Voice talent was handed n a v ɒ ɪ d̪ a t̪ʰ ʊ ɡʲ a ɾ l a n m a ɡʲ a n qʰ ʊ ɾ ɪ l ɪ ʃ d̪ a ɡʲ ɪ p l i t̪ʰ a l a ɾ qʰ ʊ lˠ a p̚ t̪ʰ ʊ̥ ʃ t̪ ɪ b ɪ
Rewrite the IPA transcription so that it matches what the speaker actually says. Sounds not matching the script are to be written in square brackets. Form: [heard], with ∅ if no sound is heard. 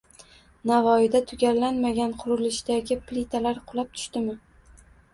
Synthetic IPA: n a v ɒ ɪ d̪ a t̪ʰ ʊ ɡʲ a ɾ l a n m a ɡʲ a n qʰ ʊ ɾ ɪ l ɪ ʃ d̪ a ɡʲ ɪ p l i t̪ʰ a l a ɾ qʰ ʊ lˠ a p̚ t̪ʰ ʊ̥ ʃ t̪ ɪ [m] ɪ